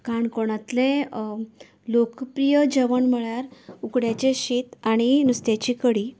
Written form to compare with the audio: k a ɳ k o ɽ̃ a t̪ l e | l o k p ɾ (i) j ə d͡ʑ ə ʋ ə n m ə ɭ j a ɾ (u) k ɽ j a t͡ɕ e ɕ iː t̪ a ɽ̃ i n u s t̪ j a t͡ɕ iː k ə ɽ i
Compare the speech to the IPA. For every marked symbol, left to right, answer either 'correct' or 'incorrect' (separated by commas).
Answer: correct, correct